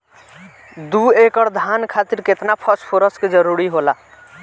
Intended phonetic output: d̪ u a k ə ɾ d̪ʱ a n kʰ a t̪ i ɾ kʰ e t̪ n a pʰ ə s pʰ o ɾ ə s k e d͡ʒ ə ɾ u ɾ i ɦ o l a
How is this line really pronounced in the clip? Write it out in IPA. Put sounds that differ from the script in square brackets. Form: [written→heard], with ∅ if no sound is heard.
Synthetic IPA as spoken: d̪ u [a→e] k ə ɾ d̪ʱ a n kʰ a t̪ i ɾ [kʰ→k] e t̪ n a pʰ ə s pʰ o ɾ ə s k e d͡ʒ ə ɾ u ɾ i ɦ o l a

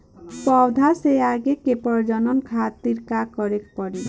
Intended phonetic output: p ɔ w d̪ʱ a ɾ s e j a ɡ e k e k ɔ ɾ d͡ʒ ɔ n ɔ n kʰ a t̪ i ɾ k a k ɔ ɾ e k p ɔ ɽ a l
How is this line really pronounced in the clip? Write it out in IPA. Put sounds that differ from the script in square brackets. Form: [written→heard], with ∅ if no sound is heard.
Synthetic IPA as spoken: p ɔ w d̪ʱ a [ɾ→∅] s e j a ɡ e k e [k→p] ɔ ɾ d͡ʒ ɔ n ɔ n kʰ a t̪ i ɾ k a k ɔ ɾ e k p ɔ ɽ [a→i] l

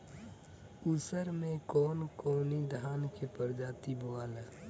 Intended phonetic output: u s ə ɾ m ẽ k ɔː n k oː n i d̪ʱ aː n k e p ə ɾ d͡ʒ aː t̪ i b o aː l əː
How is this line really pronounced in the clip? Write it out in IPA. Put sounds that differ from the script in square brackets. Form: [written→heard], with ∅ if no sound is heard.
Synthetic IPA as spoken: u s ə ɾ m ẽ k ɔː n k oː n i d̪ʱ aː n k e p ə ɾ d͡ʒ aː t̪ i b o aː l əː

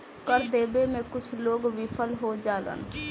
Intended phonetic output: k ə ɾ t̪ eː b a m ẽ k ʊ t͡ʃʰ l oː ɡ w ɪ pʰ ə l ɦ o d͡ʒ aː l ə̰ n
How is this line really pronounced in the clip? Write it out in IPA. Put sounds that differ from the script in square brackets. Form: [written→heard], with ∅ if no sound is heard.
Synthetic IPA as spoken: k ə ɾ [t̪→d̪] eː b [a→e] m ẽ k ʊ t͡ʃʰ l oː ɡ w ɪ pʰ ə l ɦ o d͡ʒ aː l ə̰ n

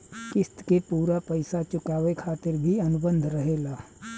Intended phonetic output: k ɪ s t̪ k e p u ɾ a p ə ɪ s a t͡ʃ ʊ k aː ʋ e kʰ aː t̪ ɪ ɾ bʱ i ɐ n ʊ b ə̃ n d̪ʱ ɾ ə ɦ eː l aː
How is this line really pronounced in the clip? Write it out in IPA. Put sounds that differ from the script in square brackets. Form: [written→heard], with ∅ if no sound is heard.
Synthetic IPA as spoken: k ɪ s t̪ k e p [u→uː] ɾ a p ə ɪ s a t͡ʃ ʊ k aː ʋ e kʰ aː t̪ ɪ ɾ bʱ i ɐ n ʊ b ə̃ n d̪ʱ ɾ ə ɦ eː l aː

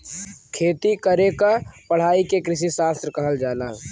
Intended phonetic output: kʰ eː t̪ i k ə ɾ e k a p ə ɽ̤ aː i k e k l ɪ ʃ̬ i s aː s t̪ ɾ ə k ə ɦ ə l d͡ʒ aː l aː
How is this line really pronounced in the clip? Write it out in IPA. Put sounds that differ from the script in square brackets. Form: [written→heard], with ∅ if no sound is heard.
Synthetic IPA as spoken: kʰ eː t̪ i k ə ɾ e k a p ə ɽ̤ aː i k e k [l→ɾ] ɪ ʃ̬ i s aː s t̪ ɾ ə k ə ɦ ə l d͡ʒ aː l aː

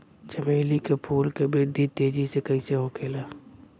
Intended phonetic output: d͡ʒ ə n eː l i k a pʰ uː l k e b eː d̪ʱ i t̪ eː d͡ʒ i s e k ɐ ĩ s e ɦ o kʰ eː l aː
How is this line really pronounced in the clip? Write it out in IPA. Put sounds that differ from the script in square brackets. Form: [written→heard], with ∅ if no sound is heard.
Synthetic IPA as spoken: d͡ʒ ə [n→m] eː l i k [a→e] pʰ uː l k e b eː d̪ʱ i t̪ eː d͡ʒ i s e k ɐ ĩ s e ɦ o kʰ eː l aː

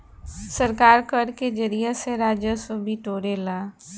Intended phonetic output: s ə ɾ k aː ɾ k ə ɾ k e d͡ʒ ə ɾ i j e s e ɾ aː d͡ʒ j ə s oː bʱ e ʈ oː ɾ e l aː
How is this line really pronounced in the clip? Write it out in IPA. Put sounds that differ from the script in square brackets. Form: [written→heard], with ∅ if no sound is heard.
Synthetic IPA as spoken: s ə ɾ k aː ɾ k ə ɾ k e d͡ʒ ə ɾ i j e s e ɾ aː d͡ʒ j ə s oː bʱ [e→i] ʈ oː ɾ e l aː

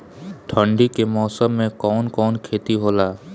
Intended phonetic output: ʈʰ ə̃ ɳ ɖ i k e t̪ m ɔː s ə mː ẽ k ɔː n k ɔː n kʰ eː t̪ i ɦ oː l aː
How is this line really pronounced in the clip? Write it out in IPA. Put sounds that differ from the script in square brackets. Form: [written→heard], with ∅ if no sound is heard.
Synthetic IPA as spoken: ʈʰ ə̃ ɳ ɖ i k e [t̪→∅] m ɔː s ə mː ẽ k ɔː n k ɔː n kʰ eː t̪ i ɦ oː l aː

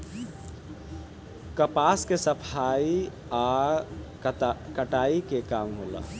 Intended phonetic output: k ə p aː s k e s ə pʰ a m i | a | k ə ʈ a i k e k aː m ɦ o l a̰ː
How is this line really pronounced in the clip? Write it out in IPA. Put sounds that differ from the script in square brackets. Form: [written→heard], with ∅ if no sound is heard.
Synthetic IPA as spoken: k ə p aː s k e s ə pʰ a [m→∅] i | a | k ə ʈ a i k e k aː m ɦ o l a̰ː

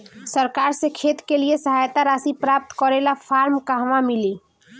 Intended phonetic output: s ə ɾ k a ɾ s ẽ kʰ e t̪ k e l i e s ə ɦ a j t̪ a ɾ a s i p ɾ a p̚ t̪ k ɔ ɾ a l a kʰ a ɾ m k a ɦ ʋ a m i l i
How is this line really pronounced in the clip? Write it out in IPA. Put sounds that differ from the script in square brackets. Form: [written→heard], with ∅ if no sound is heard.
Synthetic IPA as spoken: s ə ɾ k a ɾ s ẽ kʰ e t̪ k e l i e s ə ɦ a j t̪ a ɾ a s i p ɾ a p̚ t̪ k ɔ ɾ [a→e] l a [kʰ→pʰ] a ɾ m k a ɦ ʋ a m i l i

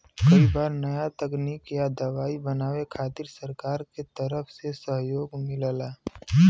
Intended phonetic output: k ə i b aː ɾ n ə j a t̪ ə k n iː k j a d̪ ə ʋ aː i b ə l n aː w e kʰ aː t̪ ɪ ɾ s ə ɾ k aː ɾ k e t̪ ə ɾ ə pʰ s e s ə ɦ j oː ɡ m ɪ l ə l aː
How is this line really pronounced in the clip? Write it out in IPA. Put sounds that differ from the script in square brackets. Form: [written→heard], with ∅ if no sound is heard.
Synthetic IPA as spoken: k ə i b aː ɾ n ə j a t̪ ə k n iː k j a d̪ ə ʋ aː i b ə [l→∅] n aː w e kʰ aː t̪ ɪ ɾ s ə ɾ k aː ɾ k e t̪ ə ɾ ə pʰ s e s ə ɦ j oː ɡ m ɪ l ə l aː

